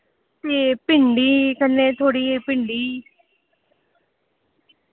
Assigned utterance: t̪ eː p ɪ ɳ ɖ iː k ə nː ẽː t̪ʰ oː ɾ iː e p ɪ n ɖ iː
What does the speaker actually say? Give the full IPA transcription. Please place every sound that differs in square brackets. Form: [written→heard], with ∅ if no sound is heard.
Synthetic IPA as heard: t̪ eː p ɪ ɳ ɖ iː k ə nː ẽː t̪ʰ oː [ɾ→ɽ] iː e p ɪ [n→ɳ] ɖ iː